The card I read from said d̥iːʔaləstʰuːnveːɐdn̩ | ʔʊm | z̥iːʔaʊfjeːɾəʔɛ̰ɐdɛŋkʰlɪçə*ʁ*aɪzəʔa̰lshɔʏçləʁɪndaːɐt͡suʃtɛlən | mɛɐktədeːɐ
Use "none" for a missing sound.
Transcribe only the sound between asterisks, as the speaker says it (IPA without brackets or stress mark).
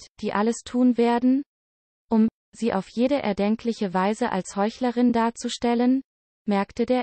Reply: v